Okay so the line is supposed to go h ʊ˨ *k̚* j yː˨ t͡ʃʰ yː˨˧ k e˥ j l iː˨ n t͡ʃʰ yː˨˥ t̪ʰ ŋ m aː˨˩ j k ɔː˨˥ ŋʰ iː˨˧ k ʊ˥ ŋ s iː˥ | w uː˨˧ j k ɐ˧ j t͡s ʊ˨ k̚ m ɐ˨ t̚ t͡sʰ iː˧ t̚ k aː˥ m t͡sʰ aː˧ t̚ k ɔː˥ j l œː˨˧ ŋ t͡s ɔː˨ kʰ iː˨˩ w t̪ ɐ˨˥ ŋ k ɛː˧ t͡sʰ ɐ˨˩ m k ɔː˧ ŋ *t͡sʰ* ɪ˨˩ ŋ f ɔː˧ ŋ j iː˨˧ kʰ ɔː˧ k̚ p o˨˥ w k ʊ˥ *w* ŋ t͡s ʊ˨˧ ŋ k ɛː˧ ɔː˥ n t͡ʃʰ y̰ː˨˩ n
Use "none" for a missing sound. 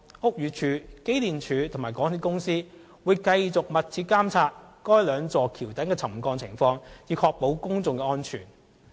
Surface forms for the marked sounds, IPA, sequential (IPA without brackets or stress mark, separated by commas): k̚, t͡sʰ, none